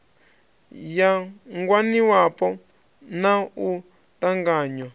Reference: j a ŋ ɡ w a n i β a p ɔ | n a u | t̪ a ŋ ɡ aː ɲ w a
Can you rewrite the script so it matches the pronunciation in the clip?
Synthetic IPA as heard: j a ŋ ɡ w a n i w a p ɔ | n a u | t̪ a ŋ ɡ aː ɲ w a

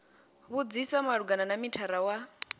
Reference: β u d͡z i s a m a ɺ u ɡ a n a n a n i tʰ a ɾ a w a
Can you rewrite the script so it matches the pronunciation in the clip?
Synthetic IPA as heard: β u d͡z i s a m a ɺ u ɡ a n a n a m i tʰ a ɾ a w a

